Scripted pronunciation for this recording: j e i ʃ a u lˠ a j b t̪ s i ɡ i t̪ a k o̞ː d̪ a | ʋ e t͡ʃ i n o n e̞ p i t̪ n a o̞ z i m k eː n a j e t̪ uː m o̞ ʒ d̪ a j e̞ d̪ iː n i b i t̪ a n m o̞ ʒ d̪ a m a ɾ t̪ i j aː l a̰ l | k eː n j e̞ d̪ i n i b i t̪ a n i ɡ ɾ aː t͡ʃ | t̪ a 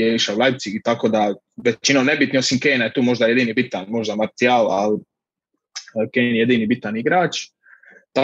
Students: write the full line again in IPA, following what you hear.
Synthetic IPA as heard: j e i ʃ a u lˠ a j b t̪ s i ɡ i t̪ a k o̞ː d̪ a | ʋ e t͡ʃ i n o n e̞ b i t̪ n i o̞ s i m k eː n a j e t̪ uː m o̞ ʒ d̪ a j e̞ d̪ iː n i b i t̪ a n m o̞ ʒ d̪ a m a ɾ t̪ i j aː l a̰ l | k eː n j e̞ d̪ i n i b i t̪ a n i ɡ ɾ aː t͡ʃ | t̪ a